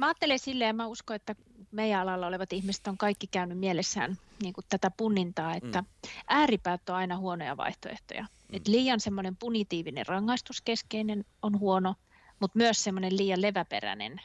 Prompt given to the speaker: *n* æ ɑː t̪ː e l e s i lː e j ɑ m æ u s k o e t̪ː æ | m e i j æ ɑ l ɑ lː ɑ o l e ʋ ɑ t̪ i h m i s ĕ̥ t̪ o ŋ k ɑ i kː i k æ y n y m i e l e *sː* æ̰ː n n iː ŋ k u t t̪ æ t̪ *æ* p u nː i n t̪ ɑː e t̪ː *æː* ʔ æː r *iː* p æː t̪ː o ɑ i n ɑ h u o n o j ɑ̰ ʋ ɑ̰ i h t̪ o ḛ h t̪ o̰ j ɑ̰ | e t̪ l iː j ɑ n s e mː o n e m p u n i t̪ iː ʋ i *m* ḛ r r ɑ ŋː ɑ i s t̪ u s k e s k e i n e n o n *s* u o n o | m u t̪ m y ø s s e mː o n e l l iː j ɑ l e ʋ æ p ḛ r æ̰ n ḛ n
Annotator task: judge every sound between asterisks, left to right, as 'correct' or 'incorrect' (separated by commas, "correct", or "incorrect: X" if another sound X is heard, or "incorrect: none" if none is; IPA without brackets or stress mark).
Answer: incorrect: m, correct, correct, incorrect: æ, incorrect: i, incorrect: n, incorrect: h